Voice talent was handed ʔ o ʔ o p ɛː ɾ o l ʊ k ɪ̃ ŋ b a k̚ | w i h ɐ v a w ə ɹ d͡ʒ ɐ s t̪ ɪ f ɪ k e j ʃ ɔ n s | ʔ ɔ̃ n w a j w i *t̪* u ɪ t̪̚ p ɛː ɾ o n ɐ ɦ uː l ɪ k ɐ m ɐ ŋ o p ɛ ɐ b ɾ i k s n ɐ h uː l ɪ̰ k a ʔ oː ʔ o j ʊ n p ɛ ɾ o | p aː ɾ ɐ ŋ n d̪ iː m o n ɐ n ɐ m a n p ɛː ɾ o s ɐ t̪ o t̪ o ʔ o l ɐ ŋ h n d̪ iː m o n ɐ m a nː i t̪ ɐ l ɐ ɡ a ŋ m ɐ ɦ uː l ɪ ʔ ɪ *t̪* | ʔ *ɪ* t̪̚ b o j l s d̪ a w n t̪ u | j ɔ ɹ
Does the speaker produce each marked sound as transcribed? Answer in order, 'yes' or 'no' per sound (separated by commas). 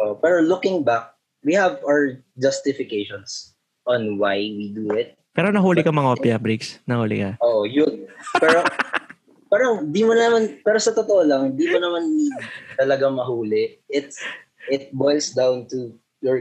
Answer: no, yes, yes